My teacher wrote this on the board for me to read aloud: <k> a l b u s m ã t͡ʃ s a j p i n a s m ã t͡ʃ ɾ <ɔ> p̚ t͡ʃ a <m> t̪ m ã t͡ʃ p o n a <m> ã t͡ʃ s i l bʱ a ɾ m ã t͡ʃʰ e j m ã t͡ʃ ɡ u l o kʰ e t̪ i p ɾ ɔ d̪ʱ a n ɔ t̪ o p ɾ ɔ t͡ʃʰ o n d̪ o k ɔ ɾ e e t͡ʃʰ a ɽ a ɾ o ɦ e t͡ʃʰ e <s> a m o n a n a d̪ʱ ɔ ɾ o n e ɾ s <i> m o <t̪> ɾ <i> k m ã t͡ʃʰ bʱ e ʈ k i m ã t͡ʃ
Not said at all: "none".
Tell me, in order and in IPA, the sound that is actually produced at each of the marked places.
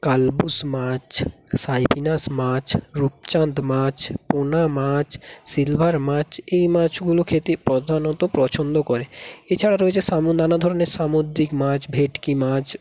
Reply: k, u, n, m, s, a, d̪, i

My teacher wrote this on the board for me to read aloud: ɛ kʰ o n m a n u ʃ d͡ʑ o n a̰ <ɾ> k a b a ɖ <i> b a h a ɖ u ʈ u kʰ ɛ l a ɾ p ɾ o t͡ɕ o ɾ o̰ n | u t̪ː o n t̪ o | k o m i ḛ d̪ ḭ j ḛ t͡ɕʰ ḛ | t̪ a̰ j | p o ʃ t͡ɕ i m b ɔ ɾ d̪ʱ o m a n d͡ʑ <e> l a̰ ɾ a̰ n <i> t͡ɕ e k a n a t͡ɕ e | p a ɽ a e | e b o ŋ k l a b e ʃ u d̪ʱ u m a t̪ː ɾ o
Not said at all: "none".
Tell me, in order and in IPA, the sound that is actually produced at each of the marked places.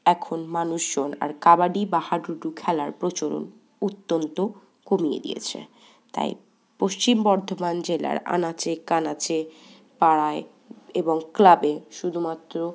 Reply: ɾ, i, e, a

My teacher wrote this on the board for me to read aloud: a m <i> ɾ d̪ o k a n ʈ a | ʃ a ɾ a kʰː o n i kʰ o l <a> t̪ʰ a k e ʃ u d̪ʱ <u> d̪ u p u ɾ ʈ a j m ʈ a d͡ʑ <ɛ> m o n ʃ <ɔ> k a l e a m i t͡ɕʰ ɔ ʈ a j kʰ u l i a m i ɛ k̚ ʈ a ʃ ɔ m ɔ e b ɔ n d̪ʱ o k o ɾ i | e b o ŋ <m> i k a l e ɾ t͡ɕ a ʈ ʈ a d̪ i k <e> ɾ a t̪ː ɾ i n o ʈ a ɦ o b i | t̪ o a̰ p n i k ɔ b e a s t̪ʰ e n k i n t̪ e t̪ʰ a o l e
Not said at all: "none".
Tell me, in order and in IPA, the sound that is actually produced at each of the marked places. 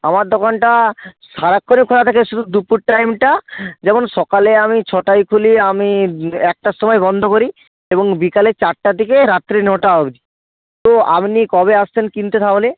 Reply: a, a, u, ɛ, ɔ, b, e

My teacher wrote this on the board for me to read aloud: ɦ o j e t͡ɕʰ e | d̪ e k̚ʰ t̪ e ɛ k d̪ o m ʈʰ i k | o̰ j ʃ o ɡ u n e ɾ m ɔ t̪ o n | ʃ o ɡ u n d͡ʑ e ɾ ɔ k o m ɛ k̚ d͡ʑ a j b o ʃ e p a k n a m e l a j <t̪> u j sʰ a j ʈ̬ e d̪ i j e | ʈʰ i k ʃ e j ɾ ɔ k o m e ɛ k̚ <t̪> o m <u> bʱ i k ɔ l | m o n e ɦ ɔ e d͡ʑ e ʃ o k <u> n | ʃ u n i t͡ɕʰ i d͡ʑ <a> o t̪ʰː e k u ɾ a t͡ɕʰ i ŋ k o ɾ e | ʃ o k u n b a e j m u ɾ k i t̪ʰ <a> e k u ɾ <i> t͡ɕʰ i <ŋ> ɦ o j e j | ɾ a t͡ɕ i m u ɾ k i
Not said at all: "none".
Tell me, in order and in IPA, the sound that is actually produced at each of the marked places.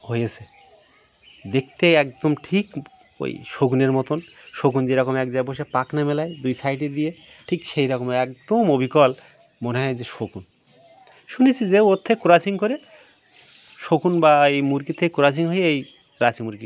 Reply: d̪, d̪, o, u, e, e, a, ŋ

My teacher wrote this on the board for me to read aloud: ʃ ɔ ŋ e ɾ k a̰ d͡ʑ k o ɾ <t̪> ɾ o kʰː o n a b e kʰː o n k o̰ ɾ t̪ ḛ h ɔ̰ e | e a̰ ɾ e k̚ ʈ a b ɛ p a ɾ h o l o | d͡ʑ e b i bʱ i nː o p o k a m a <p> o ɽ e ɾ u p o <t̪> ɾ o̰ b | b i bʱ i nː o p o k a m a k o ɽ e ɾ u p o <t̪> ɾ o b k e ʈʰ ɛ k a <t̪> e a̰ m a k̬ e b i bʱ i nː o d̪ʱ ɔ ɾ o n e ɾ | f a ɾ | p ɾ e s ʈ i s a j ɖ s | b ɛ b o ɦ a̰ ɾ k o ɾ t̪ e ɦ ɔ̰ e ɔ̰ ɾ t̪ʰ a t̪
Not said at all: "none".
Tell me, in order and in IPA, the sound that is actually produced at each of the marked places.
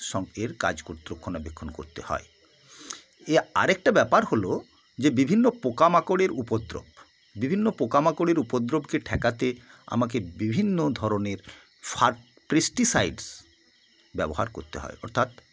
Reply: t̪, k, d̪, d̪, t̪

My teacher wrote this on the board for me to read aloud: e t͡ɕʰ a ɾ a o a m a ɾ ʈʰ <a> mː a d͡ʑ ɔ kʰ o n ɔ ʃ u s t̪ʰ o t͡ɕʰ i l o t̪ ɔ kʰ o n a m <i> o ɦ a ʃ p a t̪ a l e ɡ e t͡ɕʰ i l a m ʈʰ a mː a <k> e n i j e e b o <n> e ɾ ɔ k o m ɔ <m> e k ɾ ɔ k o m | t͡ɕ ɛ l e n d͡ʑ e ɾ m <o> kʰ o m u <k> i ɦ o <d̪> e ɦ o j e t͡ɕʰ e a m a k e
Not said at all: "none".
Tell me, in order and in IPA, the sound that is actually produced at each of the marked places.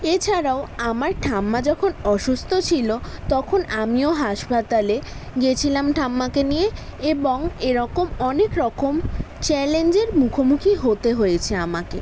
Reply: a, i, k, ŋ, n, u, kʰ, t̪

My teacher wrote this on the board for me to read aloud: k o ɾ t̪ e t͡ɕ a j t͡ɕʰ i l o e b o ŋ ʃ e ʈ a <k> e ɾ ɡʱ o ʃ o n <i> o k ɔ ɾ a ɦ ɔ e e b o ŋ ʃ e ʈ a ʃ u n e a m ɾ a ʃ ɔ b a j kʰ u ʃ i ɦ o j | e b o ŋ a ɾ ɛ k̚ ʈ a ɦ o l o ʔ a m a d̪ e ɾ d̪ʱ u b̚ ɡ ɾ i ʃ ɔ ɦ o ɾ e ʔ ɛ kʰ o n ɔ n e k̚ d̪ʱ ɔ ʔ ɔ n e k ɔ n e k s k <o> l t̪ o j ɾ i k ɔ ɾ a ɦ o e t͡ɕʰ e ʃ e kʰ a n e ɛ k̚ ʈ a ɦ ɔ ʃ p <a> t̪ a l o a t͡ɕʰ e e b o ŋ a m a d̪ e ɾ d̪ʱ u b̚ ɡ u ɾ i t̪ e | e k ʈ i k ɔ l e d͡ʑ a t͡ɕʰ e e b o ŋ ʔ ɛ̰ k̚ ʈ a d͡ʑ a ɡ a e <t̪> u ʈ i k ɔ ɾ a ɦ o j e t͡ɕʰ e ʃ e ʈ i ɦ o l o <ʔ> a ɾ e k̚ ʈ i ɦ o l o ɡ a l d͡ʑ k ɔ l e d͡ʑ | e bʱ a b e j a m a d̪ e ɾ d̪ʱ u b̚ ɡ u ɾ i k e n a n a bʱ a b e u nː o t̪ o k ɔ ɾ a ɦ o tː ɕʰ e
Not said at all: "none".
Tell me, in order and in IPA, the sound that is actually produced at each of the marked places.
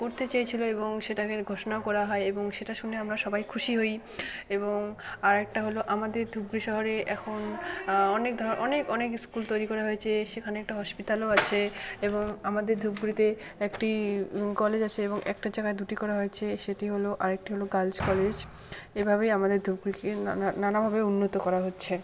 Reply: k, a, u, i, d̪, ʔ

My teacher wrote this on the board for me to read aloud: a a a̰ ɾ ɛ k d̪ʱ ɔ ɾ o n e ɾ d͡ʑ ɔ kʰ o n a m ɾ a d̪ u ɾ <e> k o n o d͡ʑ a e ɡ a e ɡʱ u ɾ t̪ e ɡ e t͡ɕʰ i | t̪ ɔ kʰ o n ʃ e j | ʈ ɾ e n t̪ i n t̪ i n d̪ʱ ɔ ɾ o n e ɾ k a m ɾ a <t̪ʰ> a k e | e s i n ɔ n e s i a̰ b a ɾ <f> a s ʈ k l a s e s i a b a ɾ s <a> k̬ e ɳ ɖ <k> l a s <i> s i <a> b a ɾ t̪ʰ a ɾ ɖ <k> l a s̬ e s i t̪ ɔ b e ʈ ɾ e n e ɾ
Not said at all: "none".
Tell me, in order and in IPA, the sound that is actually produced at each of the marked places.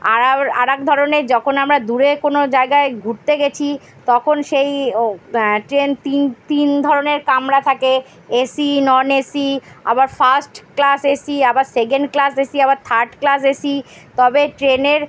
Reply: e, t̪ʰ, f, e, k, e, a, k

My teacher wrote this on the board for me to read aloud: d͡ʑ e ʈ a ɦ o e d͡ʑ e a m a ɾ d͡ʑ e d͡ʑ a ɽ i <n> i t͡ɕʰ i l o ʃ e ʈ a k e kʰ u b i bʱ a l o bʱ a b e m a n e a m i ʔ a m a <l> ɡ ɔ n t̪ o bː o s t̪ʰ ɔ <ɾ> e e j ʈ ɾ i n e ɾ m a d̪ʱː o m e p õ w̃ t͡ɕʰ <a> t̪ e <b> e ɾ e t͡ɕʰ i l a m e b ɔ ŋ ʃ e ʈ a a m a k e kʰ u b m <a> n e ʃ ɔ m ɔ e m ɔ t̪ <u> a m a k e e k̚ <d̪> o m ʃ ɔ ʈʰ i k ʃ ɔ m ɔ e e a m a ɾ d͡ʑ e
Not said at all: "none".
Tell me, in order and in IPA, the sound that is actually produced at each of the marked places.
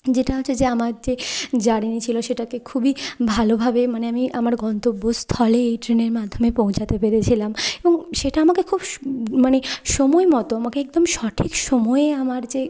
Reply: n, ɾ, l, a, p, a, o, d̪

